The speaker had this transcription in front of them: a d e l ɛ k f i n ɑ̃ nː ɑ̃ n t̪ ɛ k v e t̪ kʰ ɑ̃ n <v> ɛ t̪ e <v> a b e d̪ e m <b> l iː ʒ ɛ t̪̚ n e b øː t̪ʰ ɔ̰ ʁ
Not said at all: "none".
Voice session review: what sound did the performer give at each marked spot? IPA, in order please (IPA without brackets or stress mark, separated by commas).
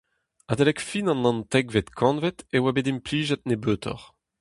v, w, p